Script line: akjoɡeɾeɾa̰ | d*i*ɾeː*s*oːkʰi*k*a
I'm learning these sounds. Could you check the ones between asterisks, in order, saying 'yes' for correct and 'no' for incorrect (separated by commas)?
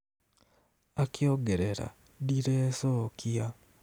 yes, yes, no